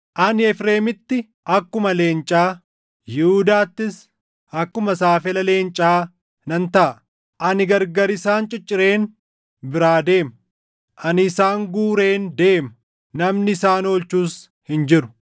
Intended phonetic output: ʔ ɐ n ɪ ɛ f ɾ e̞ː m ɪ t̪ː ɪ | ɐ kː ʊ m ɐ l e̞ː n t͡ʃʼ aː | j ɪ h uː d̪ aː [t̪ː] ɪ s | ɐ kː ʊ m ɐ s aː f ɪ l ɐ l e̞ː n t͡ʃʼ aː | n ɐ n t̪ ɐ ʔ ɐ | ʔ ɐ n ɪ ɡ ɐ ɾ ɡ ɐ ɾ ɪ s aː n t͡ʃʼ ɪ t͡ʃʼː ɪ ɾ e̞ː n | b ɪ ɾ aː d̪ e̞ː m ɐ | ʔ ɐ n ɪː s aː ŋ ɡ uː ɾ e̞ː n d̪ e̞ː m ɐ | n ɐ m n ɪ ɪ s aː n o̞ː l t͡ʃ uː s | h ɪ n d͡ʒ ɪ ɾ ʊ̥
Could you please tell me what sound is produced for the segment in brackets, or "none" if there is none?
t̪ː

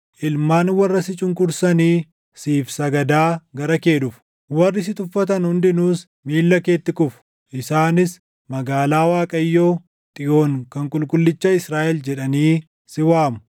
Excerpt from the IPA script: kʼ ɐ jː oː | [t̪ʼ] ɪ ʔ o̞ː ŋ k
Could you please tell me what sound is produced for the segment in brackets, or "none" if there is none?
t̪ʼ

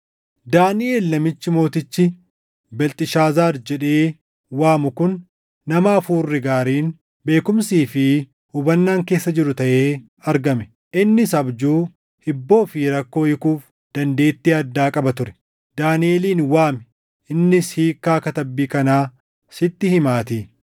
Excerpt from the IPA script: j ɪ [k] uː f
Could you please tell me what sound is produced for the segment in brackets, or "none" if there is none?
k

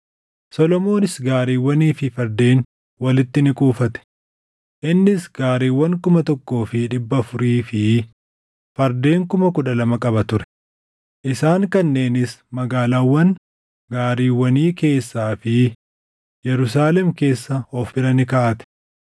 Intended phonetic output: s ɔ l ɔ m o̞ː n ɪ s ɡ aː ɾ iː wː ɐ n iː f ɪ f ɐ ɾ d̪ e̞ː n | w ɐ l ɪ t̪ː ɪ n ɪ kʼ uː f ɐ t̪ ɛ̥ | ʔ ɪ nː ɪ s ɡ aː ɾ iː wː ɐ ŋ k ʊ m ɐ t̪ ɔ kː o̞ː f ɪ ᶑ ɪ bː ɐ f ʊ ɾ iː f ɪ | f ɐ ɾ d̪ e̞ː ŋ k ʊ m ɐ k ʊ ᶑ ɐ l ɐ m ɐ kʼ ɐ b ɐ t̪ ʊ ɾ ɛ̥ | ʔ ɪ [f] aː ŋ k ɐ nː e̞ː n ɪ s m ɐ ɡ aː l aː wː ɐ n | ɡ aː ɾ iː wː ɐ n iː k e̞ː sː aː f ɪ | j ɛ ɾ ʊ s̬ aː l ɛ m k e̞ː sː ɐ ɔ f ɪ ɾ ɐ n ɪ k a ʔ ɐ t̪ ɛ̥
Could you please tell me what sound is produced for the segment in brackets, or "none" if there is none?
s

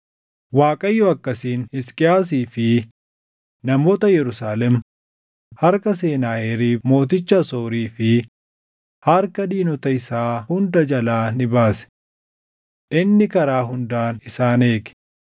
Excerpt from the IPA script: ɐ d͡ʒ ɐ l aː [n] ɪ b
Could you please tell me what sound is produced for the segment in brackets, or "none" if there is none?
n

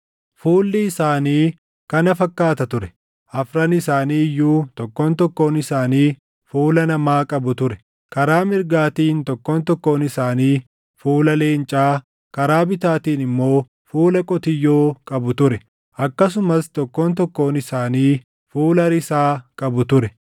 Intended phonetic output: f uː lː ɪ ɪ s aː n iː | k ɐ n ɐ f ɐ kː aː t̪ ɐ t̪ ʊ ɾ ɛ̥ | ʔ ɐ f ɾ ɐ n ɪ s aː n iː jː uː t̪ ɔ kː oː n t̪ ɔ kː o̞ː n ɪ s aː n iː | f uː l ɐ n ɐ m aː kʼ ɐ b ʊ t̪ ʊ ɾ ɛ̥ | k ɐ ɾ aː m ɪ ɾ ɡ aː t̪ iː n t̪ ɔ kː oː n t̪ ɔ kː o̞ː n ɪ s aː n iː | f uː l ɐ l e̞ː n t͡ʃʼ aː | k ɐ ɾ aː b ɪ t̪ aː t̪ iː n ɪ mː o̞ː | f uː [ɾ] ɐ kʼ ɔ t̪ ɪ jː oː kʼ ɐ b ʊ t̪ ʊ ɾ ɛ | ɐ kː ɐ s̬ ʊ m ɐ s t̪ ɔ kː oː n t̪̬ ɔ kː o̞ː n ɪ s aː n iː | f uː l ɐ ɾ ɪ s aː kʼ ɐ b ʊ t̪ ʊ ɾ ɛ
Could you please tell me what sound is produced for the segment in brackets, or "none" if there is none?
l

